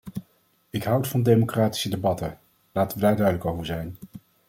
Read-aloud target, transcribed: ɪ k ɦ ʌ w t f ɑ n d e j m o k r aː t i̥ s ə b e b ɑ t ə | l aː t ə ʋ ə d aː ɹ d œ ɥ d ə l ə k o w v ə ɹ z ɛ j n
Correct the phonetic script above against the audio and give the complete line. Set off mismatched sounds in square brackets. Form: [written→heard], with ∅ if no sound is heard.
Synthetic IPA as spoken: ɪ k ɦ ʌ w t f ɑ n d e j m o k r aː t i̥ s ə [b→d] e b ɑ t ə | l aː t ə ʋ ə d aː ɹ d œ ɥ d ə l ə k o w v ə ɹ z ɛ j n